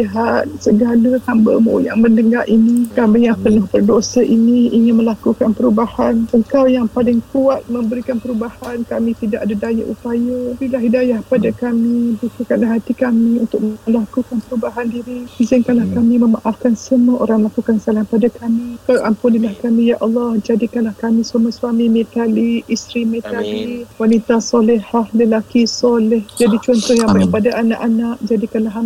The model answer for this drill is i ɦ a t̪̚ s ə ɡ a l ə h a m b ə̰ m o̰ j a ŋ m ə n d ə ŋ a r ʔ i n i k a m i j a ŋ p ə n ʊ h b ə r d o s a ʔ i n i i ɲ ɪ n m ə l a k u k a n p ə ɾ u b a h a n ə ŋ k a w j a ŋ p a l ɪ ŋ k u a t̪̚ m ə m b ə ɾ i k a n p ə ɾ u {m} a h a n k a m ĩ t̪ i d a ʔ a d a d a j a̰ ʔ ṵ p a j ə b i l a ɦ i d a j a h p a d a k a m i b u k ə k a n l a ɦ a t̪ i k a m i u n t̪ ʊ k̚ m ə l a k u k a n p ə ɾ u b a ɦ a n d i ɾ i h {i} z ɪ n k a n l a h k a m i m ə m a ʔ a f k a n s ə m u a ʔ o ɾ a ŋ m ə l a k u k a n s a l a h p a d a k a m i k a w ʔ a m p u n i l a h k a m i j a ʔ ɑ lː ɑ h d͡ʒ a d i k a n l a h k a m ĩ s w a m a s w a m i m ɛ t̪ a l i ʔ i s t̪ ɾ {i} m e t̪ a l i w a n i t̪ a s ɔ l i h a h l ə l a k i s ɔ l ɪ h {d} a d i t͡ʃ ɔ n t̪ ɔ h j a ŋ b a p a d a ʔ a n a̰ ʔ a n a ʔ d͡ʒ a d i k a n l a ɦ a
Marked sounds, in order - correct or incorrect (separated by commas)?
incorrect, correct, correct, incorrect